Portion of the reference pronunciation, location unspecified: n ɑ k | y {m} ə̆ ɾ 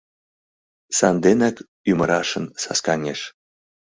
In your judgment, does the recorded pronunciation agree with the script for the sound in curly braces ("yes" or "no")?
yes